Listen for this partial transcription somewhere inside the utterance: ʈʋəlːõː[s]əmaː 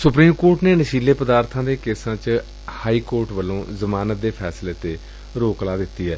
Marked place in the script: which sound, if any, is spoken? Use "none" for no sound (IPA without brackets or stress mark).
z